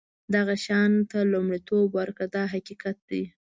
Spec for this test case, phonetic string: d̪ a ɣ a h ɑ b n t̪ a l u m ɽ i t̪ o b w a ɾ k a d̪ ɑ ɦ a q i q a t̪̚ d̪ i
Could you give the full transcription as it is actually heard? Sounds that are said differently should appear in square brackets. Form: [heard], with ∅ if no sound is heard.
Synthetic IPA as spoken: d̪ a ɣ a [ʃ] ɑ [∅] n t̪ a l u m ɽ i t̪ o b w a ɾ k a d̪ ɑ ɦ a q i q a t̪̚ d̪ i

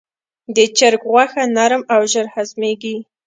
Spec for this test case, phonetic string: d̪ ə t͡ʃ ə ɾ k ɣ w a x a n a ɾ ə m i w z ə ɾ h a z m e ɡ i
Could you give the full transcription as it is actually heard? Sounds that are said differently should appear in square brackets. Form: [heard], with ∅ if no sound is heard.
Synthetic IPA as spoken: d̪ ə t͡ʃ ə ɾ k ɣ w a x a n a ɾ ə m [a] w [ʒ] ə ɾ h a z m e ɡ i

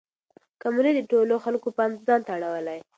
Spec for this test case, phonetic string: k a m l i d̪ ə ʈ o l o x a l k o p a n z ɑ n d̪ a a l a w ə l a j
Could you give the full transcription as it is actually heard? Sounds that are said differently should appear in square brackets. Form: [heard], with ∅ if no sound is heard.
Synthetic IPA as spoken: k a m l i d̪ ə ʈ o l o x a l k o p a n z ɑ n [t̪] a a [ɽ] a w ə l a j

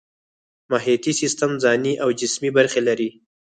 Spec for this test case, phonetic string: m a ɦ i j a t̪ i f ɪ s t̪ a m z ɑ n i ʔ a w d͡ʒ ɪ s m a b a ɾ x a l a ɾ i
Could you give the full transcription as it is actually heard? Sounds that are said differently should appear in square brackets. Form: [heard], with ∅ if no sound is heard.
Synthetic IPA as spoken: m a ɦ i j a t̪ i [s] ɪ s t̪ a m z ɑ n i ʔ a w d͡ʒ ɪ s m [i] b a ɾ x [e] l a ɾ i

